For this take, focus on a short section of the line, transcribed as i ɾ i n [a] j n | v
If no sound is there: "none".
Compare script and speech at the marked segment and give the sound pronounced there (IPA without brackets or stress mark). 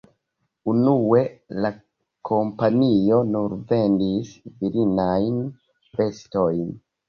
a